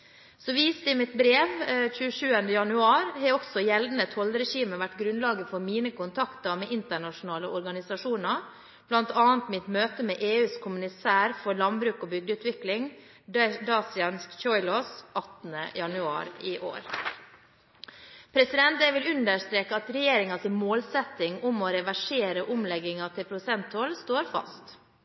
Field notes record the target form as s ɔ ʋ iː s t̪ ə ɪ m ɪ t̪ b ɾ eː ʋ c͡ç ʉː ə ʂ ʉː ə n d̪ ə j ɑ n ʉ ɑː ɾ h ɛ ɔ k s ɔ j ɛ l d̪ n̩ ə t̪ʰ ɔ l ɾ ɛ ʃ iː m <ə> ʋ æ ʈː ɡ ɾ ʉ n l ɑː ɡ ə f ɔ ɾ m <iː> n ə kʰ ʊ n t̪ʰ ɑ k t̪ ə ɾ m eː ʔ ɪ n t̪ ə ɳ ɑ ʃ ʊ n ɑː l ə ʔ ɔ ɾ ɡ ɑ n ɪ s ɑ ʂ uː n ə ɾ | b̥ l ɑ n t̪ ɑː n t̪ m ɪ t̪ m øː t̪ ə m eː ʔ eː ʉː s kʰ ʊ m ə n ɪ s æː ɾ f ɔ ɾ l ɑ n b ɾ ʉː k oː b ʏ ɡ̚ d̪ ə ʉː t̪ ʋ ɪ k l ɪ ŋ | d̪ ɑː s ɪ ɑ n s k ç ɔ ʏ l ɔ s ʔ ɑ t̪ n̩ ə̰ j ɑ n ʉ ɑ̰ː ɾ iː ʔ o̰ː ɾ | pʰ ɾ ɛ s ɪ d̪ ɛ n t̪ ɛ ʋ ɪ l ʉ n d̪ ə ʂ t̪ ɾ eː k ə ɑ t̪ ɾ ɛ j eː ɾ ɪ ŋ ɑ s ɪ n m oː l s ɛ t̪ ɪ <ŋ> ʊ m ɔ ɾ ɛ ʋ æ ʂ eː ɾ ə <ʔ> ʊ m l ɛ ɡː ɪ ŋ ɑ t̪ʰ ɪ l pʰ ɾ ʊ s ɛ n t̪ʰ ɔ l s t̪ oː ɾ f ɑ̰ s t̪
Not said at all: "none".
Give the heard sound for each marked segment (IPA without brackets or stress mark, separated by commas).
ə, iː, ŋ, ʔ